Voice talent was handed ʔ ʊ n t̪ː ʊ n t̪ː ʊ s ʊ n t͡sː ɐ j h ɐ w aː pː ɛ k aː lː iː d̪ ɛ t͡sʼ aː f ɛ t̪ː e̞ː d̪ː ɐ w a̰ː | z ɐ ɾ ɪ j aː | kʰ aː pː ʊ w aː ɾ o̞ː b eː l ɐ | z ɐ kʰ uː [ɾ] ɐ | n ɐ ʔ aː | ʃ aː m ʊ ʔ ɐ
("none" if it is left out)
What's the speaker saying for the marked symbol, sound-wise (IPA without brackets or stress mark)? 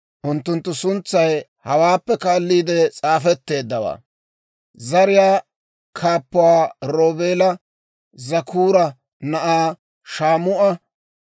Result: ɾ